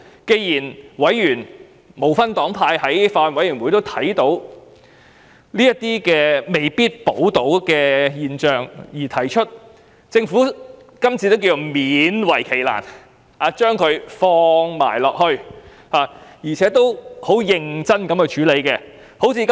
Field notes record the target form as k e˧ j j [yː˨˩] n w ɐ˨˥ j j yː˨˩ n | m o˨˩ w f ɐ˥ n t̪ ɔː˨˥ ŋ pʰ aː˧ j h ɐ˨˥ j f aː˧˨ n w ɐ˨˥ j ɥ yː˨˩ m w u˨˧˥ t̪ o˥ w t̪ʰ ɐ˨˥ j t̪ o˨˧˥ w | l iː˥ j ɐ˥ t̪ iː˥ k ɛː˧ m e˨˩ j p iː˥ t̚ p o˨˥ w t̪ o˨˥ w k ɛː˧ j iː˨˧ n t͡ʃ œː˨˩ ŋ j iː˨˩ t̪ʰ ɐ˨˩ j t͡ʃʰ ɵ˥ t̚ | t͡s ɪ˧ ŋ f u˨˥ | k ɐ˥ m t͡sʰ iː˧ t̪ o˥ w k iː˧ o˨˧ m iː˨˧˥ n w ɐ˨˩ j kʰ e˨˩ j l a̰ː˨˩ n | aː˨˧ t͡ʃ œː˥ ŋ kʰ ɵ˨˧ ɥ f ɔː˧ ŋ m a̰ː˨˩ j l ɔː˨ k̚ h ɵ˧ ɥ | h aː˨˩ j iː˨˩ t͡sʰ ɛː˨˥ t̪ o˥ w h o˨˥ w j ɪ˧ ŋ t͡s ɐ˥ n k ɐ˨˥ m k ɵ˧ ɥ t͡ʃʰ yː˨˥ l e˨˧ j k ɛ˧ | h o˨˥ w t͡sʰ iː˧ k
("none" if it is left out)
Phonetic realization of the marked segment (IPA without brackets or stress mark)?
iː˨˩